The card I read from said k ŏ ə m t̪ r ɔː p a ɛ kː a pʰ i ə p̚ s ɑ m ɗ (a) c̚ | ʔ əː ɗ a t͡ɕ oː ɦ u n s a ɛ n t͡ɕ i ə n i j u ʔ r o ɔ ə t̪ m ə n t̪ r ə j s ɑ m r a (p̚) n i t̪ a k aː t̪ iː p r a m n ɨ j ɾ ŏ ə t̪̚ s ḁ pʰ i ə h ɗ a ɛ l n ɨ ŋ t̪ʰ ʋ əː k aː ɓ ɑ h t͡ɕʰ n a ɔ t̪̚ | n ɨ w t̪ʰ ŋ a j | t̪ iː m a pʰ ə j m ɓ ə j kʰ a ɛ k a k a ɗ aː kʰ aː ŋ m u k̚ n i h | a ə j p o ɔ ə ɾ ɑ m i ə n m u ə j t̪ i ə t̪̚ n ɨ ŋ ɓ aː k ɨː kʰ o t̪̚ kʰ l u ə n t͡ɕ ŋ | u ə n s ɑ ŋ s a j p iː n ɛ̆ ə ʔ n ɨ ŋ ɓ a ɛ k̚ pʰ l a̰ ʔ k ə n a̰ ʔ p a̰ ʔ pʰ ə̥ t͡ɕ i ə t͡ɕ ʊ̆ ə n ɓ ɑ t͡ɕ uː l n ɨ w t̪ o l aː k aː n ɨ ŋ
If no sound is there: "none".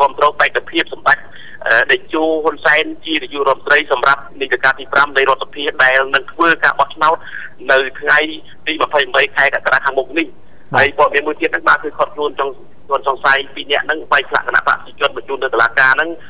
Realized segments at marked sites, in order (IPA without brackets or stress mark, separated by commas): a, p̚